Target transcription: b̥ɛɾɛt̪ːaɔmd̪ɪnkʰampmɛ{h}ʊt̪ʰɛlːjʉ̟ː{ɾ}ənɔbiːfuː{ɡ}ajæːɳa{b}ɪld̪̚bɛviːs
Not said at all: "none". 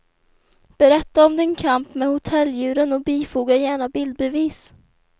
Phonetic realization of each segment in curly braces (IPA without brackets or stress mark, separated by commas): h, ɾ, ɡ, b